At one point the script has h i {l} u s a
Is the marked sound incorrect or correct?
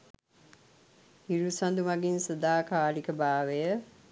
incorrect